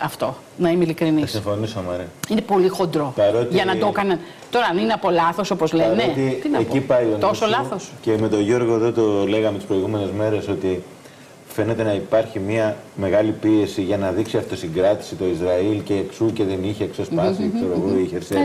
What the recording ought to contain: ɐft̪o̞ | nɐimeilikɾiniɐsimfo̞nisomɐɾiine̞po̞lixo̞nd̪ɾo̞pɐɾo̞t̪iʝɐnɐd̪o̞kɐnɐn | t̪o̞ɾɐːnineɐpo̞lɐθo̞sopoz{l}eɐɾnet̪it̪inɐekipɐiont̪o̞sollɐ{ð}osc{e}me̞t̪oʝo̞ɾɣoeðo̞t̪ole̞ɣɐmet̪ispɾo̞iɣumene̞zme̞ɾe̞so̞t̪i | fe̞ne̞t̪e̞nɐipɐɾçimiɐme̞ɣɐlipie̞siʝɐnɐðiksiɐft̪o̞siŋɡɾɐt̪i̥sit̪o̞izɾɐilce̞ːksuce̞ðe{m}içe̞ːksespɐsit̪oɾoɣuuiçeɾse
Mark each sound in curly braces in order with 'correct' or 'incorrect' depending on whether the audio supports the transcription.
correct, incorrect, correct, incorrect

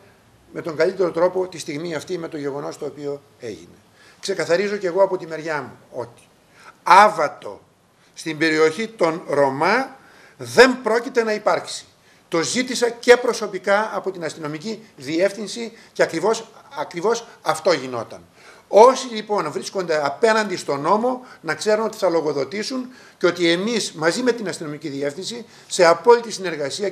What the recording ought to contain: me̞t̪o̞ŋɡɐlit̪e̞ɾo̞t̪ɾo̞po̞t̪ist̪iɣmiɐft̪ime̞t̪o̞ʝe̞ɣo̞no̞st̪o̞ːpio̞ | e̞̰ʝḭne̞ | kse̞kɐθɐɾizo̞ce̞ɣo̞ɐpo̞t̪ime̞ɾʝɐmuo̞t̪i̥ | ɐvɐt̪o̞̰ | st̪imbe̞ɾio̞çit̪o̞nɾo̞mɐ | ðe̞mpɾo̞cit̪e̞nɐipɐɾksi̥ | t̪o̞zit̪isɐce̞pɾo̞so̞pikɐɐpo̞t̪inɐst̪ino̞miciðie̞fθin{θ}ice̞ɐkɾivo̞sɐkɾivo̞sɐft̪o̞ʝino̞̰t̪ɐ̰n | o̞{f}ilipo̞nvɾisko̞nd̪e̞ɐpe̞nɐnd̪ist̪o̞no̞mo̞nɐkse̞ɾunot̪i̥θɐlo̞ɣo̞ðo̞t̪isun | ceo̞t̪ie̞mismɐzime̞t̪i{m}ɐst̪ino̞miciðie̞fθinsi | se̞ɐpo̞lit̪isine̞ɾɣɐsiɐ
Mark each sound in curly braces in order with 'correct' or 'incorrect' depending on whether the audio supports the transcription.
incorrect, incorrect, incorrect

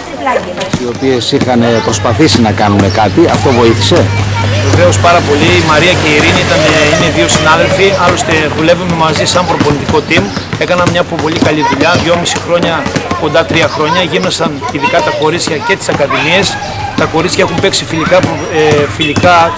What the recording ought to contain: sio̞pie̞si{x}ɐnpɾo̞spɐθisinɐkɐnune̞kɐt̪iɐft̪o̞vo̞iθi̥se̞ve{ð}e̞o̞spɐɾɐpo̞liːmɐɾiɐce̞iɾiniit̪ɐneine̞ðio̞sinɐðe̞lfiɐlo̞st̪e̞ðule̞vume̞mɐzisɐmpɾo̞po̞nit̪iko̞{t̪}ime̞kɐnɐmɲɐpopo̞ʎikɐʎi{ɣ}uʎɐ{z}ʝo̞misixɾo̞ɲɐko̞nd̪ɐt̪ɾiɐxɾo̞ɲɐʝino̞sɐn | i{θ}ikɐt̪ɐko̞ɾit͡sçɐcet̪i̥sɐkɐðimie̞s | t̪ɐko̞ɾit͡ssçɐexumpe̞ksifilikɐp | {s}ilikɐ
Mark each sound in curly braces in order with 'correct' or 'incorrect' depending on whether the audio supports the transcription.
correct, incorrect, correct, incorrect, incorrect, incorrect, incorrect

